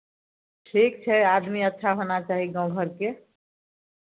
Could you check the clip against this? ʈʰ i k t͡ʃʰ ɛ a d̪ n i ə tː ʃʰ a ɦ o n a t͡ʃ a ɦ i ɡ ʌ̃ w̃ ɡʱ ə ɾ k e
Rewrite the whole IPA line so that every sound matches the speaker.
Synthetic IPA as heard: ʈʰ i k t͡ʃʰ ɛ a d̪ m i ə tː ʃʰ a ɦ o n a t͡ʃ a ɦ i ɡ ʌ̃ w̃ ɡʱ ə ɾ k e